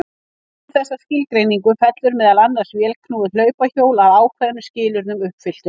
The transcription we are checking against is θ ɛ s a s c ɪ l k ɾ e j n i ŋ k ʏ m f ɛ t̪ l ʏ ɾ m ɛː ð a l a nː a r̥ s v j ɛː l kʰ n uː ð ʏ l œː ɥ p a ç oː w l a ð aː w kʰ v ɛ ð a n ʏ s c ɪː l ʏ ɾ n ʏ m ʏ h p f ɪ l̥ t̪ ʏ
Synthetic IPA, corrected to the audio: θ ɛ sː a s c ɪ l k ɾ e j n i ŋ k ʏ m f ɛ t̪ l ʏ ɾ m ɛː ð a l a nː a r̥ s v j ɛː l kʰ n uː ð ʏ l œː ɥ p a ç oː w l a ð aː w kʰ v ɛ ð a n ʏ s c ɪː l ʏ ɾ n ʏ m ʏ h p f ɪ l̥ t̪ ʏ